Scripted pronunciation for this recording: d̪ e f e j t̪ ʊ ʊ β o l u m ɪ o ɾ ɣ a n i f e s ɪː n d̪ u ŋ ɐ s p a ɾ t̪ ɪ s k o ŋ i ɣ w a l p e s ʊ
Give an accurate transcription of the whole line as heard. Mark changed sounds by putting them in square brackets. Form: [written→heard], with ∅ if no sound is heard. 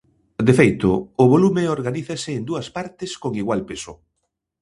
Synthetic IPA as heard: d̪ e f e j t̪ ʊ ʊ β o l u m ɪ o ɾ ɣ a n i [f→θ] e s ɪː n d̪ u [ŋ→∅] ɐ s p a ɾ t̪ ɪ s k o ŋ i ɣ w a l p e s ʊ